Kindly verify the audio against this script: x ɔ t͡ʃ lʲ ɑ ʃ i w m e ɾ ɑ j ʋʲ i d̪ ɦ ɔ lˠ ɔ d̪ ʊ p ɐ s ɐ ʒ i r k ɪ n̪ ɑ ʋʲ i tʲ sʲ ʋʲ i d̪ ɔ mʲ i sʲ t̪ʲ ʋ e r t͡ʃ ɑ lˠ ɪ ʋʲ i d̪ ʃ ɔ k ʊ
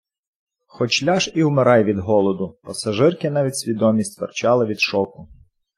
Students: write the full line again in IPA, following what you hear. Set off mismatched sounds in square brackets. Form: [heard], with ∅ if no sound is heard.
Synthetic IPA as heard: x ɔ t͡ʃ lʲ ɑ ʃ i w m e ɾ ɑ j ʋʲ i d̪ ɦ ɔ lˠ ɔ d̪ ʊ p ɐ s ɐ ʒ [ɪ] r k ɪ n̪ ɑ ʋʲ i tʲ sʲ ʋʲ i d̪ ɔ mʲ i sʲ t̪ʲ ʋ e r t͡ʃ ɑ lˠ ɪ ʋʲ i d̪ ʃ ɔ k ʊ